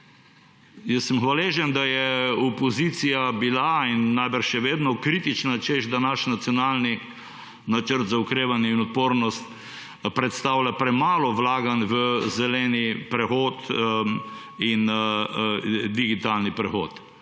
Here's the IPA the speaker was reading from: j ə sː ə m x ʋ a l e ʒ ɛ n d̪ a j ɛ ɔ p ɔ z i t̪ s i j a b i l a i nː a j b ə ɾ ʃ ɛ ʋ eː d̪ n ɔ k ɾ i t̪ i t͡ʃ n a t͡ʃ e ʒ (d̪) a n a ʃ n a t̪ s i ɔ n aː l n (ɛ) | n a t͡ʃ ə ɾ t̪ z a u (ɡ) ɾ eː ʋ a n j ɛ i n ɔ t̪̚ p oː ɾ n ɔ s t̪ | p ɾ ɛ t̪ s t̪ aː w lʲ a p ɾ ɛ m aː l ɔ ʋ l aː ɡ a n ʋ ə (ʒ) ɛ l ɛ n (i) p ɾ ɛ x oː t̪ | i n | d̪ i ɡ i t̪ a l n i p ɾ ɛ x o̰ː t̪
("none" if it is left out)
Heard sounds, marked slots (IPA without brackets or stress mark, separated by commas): d̪, i, k, z, i